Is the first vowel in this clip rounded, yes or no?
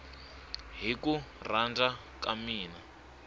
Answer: no